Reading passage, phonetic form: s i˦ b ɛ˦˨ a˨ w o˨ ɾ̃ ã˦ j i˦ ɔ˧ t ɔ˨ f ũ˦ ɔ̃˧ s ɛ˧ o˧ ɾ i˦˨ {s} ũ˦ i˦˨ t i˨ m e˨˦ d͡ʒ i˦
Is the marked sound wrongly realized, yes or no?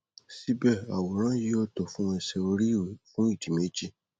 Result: yes